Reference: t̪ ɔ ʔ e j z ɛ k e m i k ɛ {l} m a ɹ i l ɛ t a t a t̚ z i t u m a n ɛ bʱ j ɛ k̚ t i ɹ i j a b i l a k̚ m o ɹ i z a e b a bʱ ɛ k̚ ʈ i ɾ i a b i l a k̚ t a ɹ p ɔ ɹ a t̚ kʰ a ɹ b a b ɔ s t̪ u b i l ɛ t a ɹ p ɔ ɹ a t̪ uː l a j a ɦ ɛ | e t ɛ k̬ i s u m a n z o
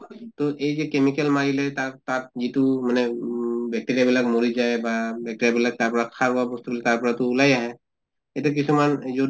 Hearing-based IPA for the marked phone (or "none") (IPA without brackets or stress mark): l